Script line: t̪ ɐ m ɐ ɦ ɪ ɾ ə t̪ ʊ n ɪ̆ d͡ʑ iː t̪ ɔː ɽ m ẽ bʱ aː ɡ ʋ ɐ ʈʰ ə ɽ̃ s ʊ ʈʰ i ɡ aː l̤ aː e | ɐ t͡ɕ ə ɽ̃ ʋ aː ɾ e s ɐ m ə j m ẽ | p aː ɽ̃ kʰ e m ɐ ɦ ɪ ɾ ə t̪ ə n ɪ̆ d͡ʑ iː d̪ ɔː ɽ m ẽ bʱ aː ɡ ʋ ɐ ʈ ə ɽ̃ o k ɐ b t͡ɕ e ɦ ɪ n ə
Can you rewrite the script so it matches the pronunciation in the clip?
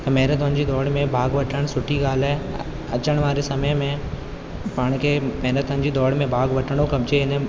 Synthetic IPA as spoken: t̪ ɐ m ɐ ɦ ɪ ɾ ə t̪ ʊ n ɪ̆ d͡ʑ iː d̪ ɔː ɽ m ẽ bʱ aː ɡ ʋ ɐ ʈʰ ə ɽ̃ s ʊ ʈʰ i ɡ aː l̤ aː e | ɐ t͡ɕ ə ɽ̃ ʋ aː ɾ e s ɐ m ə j m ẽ | p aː ɽ̃ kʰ e m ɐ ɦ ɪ ɾ ə t̪ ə n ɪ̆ d͡ʑ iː d̪ ɔː ɽ m ẽ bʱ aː ɡ ʋ ɐ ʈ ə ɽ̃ o k ɐ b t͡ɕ e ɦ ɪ n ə